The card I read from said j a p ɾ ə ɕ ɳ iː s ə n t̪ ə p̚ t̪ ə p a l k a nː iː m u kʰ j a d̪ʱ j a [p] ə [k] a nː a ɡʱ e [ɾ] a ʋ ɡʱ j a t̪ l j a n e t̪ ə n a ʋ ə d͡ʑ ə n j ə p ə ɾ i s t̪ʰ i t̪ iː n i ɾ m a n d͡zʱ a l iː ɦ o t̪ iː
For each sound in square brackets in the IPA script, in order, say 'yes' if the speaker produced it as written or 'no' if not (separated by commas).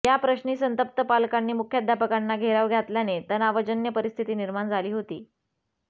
yes, yes, yes